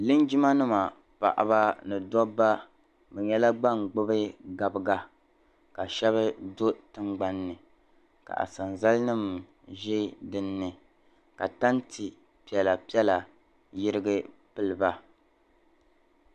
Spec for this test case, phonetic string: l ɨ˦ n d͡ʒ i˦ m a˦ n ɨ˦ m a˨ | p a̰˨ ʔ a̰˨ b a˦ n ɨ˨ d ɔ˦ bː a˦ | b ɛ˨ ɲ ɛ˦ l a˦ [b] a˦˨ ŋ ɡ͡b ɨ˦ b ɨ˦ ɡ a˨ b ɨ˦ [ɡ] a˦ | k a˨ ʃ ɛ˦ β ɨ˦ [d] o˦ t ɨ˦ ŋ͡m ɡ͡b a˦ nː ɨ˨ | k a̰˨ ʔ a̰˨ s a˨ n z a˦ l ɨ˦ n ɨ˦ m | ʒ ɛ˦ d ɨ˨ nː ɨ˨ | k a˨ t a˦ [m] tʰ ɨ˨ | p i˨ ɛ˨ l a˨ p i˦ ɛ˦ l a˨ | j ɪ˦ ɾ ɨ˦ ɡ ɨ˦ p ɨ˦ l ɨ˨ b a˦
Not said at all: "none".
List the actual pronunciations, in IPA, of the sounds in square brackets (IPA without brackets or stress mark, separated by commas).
ɡ͡b, ɡ, d, n